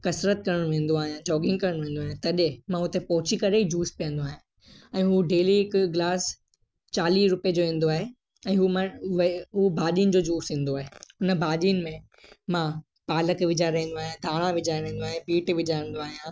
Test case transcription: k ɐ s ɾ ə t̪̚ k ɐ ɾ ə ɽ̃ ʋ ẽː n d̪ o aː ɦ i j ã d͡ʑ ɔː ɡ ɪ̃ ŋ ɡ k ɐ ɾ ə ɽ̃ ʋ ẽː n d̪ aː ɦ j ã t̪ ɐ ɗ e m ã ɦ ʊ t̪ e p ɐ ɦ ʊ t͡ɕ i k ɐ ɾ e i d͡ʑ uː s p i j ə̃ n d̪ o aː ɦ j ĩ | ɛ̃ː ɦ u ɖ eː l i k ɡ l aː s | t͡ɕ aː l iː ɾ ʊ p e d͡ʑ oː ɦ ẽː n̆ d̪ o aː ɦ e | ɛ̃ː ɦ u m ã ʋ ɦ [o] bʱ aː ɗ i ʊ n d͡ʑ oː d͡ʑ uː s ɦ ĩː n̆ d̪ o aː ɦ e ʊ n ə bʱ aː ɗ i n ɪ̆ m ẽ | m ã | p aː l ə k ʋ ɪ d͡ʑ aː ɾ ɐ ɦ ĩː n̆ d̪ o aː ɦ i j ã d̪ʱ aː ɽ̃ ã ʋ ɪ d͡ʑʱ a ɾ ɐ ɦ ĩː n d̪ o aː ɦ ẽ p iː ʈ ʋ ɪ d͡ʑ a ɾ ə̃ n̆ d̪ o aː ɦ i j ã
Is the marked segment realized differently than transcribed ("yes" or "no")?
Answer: yes